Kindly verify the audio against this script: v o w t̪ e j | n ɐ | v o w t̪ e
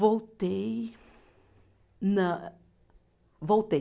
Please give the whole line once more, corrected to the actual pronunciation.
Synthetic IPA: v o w t̪ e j | n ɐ | v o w t̪ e